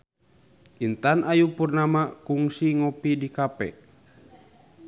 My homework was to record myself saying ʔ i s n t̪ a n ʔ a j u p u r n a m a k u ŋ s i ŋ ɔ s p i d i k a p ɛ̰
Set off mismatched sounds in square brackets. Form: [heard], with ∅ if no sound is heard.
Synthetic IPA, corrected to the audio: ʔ i [∅] n t̪ a n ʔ a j u p u r n a m a k u ŋ s i ŋ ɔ [∅] p i d i k a p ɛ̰